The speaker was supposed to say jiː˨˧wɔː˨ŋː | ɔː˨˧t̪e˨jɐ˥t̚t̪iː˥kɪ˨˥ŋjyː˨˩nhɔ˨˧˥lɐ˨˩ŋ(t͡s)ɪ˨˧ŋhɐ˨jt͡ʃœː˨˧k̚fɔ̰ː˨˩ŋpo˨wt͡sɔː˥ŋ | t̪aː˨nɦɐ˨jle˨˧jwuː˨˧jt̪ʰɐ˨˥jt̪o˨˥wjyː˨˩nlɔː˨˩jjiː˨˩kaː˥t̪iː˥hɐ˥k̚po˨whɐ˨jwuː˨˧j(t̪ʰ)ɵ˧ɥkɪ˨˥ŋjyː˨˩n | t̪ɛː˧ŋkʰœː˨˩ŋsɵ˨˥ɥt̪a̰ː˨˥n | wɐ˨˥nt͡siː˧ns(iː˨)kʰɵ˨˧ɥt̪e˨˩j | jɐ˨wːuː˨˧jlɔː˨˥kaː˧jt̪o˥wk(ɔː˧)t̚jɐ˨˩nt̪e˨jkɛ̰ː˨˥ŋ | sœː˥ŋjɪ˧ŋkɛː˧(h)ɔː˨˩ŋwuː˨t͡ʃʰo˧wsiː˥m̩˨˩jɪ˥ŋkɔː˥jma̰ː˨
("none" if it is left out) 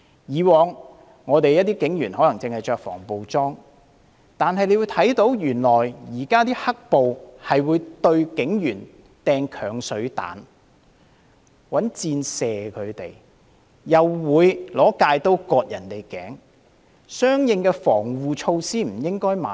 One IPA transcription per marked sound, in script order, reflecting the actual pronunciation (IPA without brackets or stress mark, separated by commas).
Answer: t͡s, t̪, ɛː˨, ɔː˧, f